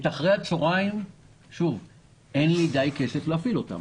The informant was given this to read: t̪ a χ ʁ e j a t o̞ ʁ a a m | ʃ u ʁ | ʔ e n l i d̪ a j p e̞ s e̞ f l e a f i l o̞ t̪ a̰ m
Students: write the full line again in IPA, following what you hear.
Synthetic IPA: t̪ a χ ʁ e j a t͡s o̞ ʁ a i m | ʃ u v | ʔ e n l i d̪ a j k e̞ s e̞ f l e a f i l o̞ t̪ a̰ m